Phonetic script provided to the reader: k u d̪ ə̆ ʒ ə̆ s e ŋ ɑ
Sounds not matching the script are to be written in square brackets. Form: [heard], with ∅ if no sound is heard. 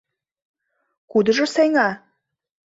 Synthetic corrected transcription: k u d̪ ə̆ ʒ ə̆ s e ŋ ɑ